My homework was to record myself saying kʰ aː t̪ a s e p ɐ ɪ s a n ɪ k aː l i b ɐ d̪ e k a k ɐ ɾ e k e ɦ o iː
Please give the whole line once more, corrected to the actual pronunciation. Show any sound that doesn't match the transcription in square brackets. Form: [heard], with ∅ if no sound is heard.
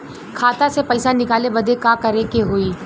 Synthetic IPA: kʰ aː t̪ a s e p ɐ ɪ s a n ɪ k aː l [e] b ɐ d̪ e k a k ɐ ɾ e k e ɦ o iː

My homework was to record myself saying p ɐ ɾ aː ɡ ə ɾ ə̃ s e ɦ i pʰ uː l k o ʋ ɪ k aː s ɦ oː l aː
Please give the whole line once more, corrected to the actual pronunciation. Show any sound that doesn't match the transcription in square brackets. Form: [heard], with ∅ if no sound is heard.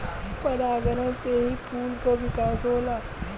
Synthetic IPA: p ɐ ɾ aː ɡ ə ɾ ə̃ s e ɦ i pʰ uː l k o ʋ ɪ k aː s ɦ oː l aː

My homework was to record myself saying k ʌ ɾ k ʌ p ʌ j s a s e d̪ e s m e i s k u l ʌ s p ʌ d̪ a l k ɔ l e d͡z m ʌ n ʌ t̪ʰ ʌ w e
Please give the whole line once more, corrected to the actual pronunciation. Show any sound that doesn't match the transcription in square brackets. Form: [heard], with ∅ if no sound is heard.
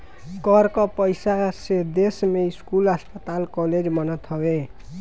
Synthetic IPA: k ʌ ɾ k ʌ p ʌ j s a s e d̪ e s m e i s k u l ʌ s p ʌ [t̪] a l k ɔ l e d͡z m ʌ n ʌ t̪ʰ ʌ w e

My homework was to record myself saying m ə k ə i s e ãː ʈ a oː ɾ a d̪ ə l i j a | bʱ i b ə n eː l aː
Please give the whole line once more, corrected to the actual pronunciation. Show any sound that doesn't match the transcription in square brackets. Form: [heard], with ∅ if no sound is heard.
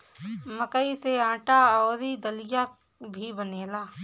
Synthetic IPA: m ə k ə i s e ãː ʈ a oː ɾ [i] d̪ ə l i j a | bʱ i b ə n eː l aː

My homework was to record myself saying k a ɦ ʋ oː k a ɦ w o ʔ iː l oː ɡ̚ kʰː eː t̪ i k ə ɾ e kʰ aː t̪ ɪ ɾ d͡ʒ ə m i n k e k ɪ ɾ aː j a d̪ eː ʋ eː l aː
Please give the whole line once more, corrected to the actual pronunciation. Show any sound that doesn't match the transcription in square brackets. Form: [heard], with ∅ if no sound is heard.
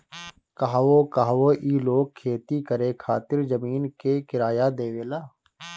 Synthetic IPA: k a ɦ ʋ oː k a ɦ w o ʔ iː l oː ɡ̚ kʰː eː t̪ i k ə ɾ e kʰ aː t̪ ɪ ɾ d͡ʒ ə m [iː] n k e k ɪ ɾ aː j a d̪ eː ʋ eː l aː

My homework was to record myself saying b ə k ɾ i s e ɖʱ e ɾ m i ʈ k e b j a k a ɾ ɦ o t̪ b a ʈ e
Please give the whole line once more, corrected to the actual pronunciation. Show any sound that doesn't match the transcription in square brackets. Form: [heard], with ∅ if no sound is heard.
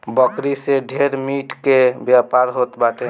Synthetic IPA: b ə k ɾ i s e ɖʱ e ɾ m i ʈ k e b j a [p] a ɾ ɦ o t̪ b a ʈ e

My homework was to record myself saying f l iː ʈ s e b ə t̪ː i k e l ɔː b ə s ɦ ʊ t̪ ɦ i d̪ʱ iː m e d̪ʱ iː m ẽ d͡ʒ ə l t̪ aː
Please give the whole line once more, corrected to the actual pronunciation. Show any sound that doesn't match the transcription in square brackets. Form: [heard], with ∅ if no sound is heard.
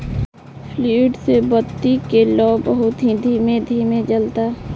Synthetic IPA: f l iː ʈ s e b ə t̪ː i k e l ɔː b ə [∅] ɦ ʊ t̪ ɦ i d̪ʱ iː m e d̪ʱ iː m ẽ d͡ʒ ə l t̪ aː

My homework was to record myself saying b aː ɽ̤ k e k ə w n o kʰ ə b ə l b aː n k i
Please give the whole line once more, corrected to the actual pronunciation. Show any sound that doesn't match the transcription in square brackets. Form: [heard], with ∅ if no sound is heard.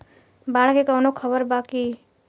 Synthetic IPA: b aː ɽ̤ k e k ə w n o kʰ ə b ə [ɾ] b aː [∅] k i

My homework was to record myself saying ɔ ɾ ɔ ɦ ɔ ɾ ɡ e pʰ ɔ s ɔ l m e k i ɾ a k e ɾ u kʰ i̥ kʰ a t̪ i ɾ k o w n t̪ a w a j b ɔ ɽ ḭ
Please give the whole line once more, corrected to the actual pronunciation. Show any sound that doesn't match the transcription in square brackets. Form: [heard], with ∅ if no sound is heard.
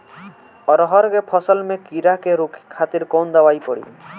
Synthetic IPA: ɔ ɾ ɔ ɦ ɔ ɾ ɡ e pʰ ɔ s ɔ l m e k i ɾ a k e ɾ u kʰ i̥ kʰ a t̪ i ɾ k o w n [d̪] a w a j [p] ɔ ɽ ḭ

